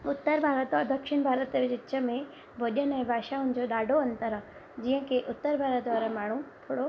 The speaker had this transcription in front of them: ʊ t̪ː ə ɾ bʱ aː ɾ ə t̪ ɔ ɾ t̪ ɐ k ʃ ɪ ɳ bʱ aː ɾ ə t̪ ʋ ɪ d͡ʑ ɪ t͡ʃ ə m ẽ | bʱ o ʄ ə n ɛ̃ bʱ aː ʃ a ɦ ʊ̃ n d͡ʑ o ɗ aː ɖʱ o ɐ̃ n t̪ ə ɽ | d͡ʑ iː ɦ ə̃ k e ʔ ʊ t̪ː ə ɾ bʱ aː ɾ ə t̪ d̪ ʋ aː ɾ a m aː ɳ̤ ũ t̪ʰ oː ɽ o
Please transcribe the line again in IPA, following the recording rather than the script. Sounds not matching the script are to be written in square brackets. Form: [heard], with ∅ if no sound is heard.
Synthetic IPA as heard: ʊ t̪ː ə ɾ bʱ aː ɾ ə t̪ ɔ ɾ [d̪] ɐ k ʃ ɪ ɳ bʱ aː ɾ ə t̪ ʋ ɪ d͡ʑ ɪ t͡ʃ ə m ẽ | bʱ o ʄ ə n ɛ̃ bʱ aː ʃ a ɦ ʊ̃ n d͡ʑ o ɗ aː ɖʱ o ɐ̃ n t̪ ə [ɾ] | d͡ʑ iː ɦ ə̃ k e ʔ ʊ t̪ː ə ɾ bʱ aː ɾ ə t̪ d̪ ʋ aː ɾ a m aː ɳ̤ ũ t̪ʰ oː ɽ o

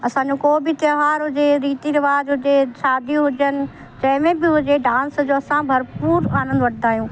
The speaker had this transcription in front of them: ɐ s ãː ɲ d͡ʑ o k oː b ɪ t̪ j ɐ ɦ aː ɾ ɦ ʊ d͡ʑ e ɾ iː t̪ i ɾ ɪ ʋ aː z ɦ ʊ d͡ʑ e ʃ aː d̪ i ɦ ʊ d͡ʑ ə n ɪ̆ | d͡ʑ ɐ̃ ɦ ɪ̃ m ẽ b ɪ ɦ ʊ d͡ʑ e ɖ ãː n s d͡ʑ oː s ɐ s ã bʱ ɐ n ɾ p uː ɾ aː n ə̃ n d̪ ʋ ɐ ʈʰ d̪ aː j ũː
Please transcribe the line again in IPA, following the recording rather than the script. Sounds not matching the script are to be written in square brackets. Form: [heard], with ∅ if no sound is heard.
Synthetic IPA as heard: ɐ s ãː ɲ d͡ʑ o k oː b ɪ t̪ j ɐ ɦ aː ɾ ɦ ʊ d͡ʑ e ɾ iː t̪ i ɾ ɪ ʋ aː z ɦ ʊ d͡ʑ e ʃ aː d̪ i ɦ ʊ d͡ʑ ə n ɪ̆ | d͡ʑ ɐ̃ ɦ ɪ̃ m ẽ b ɪ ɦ ʊ d͡ʑ e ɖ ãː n s d͡ʑ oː [∅] ɐ s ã bʱ ɐ [∅] ɾ p uː ɾ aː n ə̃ n d̪ ʋ ɐ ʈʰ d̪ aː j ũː

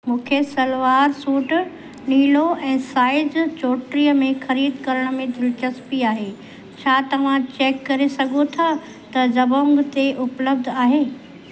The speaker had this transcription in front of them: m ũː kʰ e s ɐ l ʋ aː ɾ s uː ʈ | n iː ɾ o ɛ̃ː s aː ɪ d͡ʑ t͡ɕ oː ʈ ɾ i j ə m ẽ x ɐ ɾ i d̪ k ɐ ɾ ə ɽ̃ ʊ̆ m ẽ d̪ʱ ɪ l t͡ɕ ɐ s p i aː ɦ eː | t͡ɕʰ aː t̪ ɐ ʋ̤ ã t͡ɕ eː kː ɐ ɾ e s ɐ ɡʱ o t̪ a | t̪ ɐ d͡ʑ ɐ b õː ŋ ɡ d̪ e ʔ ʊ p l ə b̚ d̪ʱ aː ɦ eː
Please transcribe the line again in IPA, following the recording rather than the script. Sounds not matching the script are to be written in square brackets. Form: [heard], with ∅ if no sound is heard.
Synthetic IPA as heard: m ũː kʰ e s ɐ l ʋ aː ɾ s uː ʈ | n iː [l] o ɛ̃ː s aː ɪ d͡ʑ t͡ɕ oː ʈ ɾ i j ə m ẽ x ɐ ɾ [iː] d̪ k ɐ ɾ ə ɽ̃ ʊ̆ m ẽ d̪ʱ ɪ l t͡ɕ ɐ s p i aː ɦ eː | t͡ɕʰ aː t̪ ɐ ʋ̤ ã t͡ɕ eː kː ɐ ɾ e s ɐ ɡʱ o [t̪ʰ] a | t̪ ɐ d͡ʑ ɐ b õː ŋ ɡ [t̪] e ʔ ʊ p l ə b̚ d̪ʱ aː ɦ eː

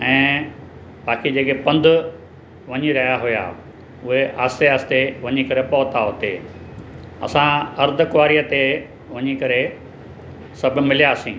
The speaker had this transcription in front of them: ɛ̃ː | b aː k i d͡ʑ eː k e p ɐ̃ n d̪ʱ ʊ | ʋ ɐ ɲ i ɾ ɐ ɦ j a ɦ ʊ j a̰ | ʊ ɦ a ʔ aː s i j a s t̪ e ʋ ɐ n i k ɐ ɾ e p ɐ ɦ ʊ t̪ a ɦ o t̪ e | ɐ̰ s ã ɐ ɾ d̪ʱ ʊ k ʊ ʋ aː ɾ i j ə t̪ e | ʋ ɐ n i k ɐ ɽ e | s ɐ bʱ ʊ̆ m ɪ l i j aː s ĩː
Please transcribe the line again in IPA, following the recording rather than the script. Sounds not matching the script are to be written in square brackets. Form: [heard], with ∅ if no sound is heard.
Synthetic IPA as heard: ɛ̃ː | b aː k i d͡ʑ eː k e p ɐ̃ n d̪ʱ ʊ | ʋ ɐ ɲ i ɾ ɐ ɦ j a ɦ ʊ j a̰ | ʊ ɦ [e] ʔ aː s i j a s t̪ e ʋ ɐ [ɲ] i k ɐ ɾ e p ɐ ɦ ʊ t̪ a ɦ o t̪ e | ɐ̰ s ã ɐ ɾ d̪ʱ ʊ k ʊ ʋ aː ɾ i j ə t̪ e | ʋ ɐ [ɲ] i k ɐ [ɾ] e | s ɐ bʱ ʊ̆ m ɪ l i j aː s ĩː

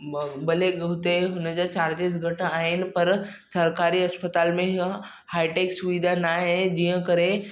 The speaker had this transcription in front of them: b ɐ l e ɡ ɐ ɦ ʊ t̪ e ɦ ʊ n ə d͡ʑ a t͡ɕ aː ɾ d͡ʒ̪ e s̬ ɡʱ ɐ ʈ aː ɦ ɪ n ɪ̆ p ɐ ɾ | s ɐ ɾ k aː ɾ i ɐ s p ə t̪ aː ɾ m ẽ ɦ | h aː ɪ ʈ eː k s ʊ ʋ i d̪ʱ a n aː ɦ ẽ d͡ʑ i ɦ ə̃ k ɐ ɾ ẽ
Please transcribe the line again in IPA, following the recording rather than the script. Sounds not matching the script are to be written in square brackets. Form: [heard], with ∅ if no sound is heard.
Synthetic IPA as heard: b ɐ l e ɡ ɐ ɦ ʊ t̪ e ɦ ʊ n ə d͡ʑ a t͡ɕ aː ɾ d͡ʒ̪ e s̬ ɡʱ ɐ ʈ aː ɦ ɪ n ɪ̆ p ɐ ɾ | s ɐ ɾ k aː ɾ i ɐ s p ə t̪ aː [l] m ẽ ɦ | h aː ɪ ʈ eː k s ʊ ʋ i d̪ʱ a n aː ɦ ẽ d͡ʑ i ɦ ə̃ k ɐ ɾ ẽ

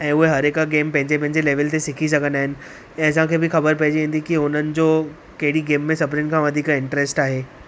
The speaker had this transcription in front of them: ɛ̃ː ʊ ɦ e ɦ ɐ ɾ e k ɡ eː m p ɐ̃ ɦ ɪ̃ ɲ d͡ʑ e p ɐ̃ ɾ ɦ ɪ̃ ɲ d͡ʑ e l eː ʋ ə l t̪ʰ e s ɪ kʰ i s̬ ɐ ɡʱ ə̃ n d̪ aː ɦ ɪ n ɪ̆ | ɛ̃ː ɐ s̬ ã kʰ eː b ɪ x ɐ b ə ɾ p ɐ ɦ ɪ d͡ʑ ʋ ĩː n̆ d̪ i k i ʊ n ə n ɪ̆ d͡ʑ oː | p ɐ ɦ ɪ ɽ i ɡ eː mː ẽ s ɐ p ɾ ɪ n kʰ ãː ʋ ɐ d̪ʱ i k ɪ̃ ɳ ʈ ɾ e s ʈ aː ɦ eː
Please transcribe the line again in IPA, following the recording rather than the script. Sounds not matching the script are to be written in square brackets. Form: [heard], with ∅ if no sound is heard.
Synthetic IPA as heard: ɛ̃ː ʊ ɦ e ɦ ɐ ɾ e k ɡ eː m p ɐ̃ ɦ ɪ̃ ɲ d͡ʑ e p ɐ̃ [∅] ɦ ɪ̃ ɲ d͡ʑ e l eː ʋ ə l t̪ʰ e s ɪ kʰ i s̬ ɐ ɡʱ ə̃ n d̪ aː ɦ ɪ n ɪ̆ | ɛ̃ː ɐ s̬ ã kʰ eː b ɪ x ɐ b ə ɾ p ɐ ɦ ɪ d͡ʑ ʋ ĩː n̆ d̪ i k i ʊ n ə n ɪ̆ d͡ʑ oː | [k] ɐ ɦ ɪ ɽ i ɡ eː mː ẽ s ɐ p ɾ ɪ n kʰ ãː ʋ ɐ d̪ʱ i k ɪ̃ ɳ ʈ ɾ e s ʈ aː ɦ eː

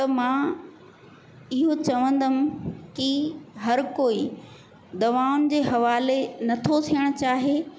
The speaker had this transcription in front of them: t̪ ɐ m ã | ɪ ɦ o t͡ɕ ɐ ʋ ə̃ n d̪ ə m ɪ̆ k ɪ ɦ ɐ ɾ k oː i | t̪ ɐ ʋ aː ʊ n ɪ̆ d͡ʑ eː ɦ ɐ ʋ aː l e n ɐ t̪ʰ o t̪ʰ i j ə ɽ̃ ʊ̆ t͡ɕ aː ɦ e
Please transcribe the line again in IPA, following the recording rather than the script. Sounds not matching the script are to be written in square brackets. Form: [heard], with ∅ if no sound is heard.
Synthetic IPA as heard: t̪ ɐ m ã | ɪ ɦ o t͡ɕ ɐ ʋ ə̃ n d̪ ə m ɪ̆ k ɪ ɦ ɐ ɾ k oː i | [d̪] ɐ ʋ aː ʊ n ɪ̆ d͡ʑ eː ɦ ɐ ʋ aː l e n ɐ t̪ʰ o t̪ʰ i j ə ɽ̃ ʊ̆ t͡ɕ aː ɦ e

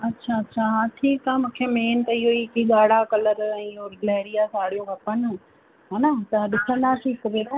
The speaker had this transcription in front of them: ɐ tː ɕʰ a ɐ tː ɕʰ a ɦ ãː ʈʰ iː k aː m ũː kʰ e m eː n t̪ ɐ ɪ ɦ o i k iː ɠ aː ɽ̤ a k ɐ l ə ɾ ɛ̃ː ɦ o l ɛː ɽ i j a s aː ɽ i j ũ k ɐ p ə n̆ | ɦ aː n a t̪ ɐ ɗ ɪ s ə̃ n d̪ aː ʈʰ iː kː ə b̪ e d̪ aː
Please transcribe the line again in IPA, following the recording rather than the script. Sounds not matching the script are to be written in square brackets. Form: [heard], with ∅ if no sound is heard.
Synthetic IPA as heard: ɐ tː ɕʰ a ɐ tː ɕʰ a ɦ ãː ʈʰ iː k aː m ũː kʰ e m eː n t̪ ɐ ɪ ɦ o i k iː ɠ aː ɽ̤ a k ɐ l ə ɾ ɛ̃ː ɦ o l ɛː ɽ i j a s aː ɽ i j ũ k ɐ p ə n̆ | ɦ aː n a t̪ ɐ ɗ ɪ s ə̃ n d̪ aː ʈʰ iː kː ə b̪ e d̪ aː

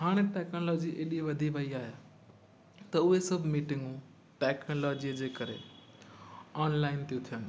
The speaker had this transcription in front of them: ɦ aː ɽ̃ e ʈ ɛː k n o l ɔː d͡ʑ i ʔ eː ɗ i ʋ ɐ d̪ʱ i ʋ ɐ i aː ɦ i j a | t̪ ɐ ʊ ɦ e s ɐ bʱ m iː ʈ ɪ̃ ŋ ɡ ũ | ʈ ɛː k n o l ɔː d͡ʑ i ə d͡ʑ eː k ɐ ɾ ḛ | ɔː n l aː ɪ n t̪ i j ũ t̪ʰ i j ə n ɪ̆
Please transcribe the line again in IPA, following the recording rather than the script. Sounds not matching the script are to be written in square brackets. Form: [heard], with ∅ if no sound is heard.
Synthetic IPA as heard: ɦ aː ɽ̃ e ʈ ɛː k n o l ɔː d͡ʑ i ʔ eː ɗ i ʋ ɐ d̪ʱ i ʋ ɐ i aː ɦ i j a | t̪ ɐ ʊ ɦ e s ɐ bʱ m iː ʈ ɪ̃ ŋ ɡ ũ | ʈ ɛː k n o l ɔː d͡ʑ i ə d͡ʑ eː k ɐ ɾ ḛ | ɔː n l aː ɪ n t̪ i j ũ t̪ʰ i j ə n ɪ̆

